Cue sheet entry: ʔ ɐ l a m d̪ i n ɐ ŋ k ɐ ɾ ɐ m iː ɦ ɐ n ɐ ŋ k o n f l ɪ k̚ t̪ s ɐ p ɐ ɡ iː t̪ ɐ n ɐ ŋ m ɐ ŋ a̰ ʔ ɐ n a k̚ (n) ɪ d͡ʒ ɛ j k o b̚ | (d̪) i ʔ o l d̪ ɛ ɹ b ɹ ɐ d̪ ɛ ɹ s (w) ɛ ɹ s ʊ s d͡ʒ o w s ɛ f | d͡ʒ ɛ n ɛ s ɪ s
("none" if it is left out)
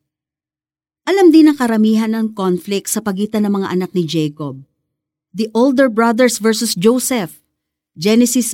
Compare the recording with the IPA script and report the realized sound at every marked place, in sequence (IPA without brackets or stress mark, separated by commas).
n, d̪, v